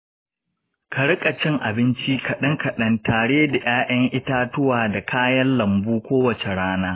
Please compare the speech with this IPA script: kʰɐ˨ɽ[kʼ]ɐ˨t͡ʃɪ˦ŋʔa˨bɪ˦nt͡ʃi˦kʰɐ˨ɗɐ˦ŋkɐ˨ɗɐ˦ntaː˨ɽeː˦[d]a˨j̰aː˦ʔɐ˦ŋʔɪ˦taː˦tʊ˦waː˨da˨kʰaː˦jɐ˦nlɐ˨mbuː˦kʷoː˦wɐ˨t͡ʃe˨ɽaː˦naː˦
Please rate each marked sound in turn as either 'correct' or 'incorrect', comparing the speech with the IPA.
correct, correct

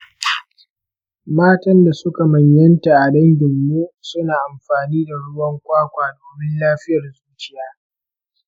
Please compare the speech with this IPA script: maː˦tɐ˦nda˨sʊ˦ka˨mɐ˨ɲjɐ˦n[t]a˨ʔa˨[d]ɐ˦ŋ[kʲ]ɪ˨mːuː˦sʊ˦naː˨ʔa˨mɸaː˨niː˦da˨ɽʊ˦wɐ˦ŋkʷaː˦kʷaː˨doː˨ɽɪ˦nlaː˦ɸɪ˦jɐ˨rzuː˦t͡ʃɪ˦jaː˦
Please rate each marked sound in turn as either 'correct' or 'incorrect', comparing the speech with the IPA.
correct, correct, incorrect: ɡʲ

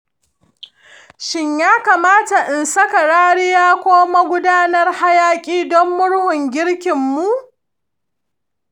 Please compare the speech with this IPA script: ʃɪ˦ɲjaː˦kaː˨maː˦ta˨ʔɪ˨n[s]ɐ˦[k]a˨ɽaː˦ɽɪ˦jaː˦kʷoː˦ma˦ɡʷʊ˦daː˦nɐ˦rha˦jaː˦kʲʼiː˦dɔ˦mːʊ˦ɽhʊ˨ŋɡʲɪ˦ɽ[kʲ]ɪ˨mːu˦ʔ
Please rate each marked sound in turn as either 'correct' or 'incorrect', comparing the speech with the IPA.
correct, correct, correct

